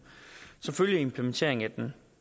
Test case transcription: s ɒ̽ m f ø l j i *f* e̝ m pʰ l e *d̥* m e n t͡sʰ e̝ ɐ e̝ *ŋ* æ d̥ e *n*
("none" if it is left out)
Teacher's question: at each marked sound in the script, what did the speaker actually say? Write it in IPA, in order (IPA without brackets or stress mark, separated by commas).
none, none, ŋ, n